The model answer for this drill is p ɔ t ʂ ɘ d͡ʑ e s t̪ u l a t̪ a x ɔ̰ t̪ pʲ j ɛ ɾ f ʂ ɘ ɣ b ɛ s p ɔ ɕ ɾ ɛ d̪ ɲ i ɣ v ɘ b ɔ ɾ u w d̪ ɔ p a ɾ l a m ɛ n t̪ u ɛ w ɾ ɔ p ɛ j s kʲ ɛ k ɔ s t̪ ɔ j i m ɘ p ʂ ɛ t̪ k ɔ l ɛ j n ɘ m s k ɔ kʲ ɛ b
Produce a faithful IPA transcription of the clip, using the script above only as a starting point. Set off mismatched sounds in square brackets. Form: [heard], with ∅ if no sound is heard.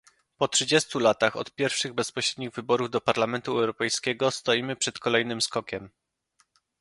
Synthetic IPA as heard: p ɔ t ʂ ɘ d͡ʑ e s t̪ u l a t̪ a x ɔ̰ t̪ pʲ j ɛ ɾ f ʂ ɘ ɣ b ɛ s p ɔ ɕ ɾ ɛ d̪ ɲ i ɣ v ɘ b ɔ ɾ u [v] d̪ ɔ p a ɾ l a m ɛ n t̪ u ɛ w ɾ ɔ p ɛ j s kʲ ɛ [ɡ] ɔ s t̪ ɔ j i m ɘ p ʂ ɛ t̪ k ɔ l ɛ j n ɘ m s k ɔ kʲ ɛ [m]